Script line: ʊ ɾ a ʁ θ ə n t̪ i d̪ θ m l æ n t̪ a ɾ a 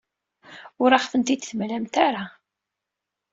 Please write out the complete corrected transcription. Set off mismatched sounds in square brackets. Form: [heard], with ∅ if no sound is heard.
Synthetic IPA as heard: ʊ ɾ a [χ] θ ə n t̪ i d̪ θ m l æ [m] t̪ a ɾ a